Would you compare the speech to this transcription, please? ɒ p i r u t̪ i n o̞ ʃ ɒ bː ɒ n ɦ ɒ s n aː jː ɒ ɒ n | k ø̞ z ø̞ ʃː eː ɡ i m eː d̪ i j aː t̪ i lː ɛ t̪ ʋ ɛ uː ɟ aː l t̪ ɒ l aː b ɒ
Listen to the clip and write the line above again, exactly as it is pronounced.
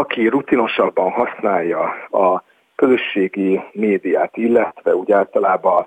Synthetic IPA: ɒ k i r u t̪ i n o̞ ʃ ɒ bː ɒ n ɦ ɒ s n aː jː ɒ ɒ | k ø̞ z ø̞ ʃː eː ɡ i m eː d̪ i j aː t̪ i lː ɛ t̪ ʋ ɛ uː ɟ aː l t̪ ɒ l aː b ɒ